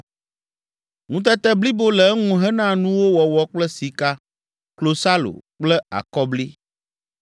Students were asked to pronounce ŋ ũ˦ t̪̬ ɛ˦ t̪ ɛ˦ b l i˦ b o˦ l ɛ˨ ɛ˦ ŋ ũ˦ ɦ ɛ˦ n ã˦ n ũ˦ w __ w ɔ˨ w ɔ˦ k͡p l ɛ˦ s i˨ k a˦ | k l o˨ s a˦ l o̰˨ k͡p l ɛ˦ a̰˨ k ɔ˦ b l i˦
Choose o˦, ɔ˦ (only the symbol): o˦